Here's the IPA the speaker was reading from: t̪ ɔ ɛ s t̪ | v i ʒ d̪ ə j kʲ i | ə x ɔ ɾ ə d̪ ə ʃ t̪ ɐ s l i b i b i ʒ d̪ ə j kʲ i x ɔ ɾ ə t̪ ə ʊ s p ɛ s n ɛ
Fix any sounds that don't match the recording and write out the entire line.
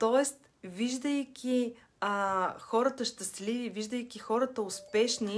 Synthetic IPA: t̪ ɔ ɛ s t̪ | v i ʒ d̪ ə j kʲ i | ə x ɔ ɾ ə t̪ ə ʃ t̪ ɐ s l i v i v i ʒ d̪ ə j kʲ i x ɔ ɾ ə t̪ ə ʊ s p ɛ ʃ n i